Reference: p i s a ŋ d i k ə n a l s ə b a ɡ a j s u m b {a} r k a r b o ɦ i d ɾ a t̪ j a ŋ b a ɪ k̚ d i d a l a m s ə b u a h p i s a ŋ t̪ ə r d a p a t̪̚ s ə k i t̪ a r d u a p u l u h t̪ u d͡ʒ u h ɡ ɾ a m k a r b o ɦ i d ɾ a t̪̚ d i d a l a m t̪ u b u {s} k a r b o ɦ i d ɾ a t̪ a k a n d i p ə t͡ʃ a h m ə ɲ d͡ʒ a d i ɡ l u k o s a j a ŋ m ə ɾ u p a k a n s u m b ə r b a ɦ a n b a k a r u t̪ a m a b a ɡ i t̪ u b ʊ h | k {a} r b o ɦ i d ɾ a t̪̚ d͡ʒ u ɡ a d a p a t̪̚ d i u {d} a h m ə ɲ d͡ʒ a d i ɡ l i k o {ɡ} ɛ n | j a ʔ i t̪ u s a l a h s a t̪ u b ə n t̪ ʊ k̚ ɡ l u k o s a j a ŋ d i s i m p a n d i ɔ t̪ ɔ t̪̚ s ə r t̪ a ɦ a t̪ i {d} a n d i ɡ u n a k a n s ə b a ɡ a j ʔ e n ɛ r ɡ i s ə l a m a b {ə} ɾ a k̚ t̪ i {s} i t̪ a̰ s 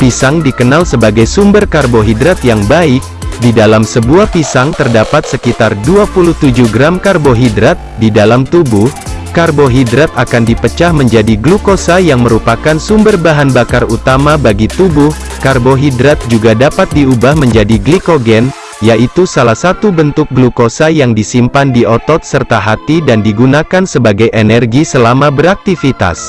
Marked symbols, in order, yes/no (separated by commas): no, no, yes, no, yes, yes, yes, no